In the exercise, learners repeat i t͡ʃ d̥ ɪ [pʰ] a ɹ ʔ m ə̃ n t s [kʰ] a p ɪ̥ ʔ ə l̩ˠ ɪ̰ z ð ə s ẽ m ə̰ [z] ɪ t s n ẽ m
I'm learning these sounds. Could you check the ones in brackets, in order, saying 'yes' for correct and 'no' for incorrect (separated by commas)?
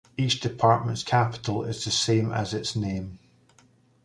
yes, yes, yes